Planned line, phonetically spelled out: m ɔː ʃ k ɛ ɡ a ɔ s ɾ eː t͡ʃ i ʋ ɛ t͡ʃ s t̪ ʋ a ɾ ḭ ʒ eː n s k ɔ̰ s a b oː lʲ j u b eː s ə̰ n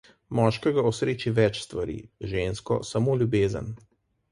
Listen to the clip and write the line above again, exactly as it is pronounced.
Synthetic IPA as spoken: m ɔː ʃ k ɛ ɡ a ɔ s ɾ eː t͡ʃ i ʋ ɛ t͡ʃ s t̪ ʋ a ɾ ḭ ʒ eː n s k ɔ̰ s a m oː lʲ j u b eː z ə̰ n